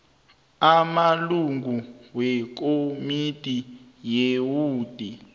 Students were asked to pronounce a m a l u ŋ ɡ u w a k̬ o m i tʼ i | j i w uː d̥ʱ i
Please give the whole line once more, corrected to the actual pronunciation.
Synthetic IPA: a m a l u ŋ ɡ u w ɛ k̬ o m i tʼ i | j e w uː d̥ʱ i